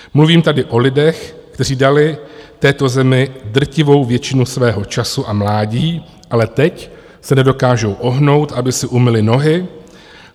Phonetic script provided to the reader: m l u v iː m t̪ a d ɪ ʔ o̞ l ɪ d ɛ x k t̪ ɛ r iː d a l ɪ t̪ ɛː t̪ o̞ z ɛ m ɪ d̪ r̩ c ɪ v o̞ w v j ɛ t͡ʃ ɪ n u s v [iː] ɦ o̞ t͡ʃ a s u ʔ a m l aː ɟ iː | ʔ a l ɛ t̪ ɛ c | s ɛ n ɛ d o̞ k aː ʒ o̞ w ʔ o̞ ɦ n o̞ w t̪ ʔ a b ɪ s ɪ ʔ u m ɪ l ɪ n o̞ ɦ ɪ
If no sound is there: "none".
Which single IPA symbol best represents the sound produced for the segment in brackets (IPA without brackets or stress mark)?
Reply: ɛː